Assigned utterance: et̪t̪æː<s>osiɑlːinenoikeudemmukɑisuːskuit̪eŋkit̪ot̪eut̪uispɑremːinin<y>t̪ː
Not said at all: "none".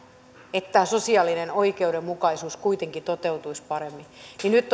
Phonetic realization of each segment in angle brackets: s, y

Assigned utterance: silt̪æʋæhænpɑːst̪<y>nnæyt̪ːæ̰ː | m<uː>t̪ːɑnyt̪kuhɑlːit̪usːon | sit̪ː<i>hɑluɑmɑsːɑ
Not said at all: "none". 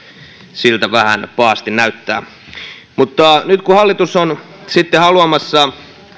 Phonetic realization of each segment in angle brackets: i, u, e

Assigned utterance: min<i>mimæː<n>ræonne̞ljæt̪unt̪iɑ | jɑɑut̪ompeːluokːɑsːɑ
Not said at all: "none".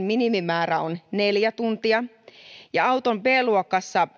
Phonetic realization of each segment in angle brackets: i, none

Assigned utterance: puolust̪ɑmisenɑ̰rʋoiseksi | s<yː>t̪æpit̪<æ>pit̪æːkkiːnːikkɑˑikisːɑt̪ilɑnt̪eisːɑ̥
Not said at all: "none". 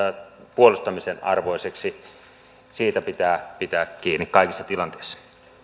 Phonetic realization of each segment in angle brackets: iː, æː

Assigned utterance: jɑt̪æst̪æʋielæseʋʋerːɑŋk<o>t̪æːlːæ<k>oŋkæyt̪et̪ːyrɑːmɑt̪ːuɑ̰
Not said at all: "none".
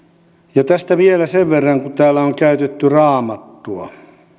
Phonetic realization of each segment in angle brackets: u, none

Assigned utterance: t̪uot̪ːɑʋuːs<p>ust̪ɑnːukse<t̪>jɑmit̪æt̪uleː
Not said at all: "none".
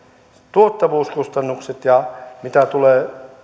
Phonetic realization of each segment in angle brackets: k, t̪

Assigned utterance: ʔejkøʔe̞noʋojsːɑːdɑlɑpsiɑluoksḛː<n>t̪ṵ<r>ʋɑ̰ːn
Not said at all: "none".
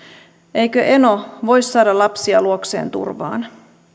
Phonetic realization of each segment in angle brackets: n, r

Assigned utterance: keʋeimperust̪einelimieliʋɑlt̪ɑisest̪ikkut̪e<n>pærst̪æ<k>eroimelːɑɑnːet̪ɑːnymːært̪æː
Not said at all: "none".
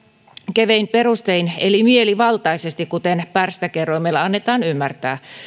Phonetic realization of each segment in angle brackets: n, k

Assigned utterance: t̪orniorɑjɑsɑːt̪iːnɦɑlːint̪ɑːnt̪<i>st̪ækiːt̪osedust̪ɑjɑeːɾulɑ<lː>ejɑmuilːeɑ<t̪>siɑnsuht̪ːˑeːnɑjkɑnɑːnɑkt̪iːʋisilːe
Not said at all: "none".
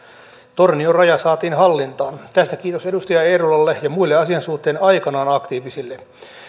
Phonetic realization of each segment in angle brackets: æ, lː, none

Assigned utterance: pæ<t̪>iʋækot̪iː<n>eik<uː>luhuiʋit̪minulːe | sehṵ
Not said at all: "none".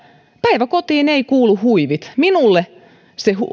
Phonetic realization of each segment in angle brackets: none, n, uː

